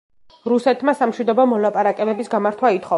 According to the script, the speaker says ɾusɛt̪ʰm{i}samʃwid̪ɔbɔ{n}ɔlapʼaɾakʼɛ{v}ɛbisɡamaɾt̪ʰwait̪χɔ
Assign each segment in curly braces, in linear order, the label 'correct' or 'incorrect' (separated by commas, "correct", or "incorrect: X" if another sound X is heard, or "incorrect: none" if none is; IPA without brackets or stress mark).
incorrect: a, incorrect: m, incorrect: b